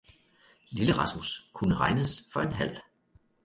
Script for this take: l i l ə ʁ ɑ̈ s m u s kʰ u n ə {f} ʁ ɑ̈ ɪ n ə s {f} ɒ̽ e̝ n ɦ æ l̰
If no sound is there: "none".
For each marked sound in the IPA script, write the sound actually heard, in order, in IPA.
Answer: none, f

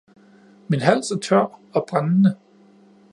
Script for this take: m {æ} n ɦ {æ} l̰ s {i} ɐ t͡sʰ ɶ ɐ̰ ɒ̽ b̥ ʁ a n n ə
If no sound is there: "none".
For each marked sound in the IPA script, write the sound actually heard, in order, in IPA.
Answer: i, æ, æ

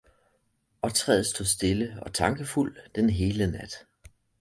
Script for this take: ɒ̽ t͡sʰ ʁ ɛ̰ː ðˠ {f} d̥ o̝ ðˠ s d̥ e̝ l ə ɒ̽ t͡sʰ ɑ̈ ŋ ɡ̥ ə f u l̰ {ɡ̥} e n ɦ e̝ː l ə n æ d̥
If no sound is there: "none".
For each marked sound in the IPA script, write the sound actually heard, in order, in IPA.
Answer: s, d̥

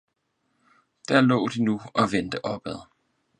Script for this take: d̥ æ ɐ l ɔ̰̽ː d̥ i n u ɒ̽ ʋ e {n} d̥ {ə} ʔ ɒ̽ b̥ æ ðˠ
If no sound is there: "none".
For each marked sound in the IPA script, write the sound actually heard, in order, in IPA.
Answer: n, ə

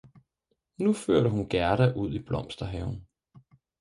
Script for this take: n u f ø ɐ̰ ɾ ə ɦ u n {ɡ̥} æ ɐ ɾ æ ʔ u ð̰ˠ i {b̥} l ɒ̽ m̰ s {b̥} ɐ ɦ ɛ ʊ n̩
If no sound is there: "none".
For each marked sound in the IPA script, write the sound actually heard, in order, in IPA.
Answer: ɡ̥, b̥, d̥

